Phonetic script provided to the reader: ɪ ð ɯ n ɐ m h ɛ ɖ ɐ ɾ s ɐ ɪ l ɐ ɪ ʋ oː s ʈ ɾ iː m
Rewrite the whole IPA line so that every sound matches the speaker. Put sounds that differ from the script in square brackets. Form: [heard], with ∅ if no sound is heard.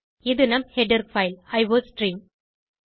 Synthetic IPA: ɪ ð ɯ n ɐ m h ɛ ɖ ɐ ɾ [f] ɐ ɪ l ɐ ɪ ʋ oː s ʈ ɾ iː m